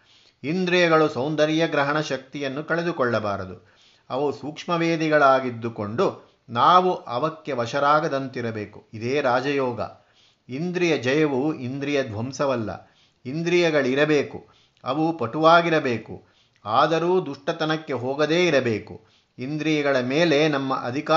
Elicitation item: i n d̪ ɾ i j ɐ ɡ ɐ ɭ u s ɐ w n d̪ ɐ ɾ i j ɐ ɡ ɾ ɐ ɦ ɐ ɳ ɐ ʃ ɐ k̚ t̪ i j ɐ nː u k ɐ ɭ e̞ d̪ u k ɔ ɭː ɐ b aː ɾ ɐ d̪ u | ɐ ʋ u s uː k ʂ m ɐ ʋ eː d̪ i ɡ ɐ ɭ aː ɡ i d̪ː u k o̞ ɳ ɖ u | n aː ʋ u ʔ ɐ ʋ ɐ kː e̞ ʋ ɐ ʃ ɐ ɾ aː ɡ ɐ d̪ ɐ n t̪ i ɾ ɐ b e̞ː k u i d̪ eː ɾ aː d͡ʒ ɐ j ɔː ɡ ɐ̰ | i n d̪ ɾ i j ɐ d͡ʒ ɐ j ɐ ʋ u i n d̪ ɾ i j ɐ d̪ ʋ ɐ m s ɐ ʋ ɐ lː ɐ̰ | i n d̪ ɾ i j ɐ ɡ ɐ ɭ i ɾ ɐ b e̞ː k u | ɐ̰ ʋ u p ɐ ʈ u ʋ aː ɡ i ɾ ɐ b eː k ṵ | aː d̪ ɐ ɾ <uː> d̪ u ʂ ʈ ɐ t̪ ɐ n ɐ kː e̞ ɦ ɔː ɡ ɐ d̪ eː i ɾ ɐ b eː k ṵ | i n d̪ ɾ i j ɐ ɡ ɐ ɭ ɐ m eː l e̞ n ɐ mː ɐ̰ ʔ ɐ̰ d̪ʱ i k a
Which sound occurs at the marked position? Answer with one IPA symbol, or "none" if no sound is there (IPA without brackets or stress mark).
uː